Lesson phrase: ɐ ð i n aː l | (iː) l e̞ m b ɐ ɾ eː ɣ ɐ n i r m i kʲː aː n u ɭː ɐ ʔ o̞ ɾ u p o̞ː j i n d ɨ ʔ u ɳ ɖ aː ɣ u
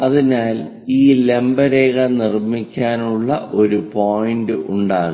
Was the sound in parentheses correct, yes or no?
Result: yes